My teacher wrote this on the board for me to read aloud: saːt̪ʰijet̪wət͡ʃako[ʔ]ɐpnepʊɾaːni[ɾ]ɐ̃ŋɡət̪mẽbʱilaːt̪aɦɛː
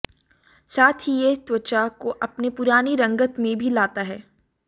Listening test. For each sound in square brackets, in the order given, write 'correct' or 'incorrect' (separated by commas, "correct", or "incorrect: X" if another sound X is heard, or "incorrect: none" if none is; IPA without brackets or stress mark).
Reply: correct, correct